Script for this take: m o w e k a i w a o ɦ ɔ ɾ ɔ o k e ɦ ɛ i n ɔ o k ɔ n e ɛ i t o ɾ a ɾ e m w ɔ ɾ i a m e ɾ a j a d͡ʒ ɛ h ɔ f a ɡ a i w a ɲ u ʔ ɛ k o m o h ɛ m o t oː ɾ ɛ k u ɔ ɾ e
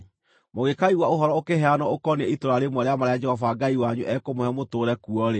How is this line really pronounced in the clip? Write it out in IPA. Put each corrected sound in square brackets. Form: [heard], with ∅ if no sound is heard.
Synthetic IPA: m o [ɣ] e k a i w a o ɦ ɔ ɾ ɔ o k e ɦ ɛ [a] n ɔ o k ɔ n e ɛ i t o ɾ a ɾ e m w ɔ ɾ [e] a m [a] ɾ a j a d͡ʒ ɛ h ɔ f a ɡ a i w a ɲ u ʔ ɛ k o m o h ɛ m o t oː ɾ ɛ k u ɔ ɾ e